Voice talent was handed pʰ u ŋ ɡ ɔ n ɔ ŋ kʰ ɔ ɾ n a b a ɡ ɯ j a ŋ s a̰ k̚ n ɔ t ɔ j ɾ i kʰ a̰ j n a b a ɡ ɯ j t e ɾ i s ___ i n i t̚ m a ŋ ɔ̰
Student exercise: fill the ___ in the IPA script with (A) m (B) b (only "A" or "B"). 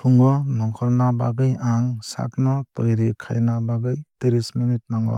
A